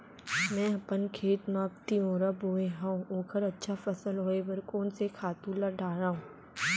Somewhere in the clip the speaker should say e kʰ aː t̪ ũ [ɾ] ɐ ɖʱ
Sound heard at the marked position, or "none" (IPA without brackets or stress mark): l